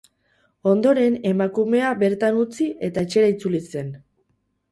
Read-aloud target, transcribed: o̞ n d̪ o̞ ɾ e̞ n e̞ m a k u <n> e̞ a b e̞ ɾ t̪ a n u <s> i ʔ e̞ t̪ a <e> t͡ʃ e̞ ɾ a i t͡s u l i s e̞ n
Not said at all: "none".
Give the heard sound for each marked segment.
m, t͡s, e

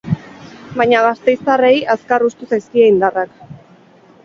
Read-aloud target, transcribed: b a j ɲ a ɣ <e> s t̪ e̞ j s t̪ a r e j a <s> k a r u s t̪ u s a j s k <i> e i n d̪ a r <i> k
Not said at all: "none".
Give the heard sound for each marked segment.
a, s, i, a

